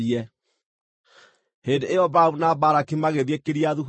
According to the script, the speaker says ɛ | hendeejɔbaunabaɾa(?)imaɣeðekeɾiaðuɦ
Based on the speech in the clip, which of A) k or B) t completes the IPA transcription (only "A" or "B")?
A